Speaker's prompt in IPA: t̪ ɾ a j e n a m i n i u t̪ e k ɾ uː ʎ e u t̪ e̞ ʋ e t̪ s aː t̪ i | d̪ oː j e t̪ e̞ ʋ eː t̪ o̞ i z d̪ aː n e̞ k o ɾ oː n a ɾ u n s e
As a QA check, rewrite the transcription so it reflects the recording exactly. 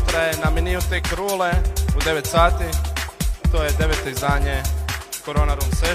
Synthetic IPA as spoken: t̪ ɾ a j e n a m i n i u t̪ e k ɾ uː l e u d̪ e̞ ʋ e t̪ s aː t̪ i | t̪ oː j e d̪ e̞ ʋ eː t̪ o̞ i z d̪ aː ɲ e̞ k o ɾ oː n a ɾ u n s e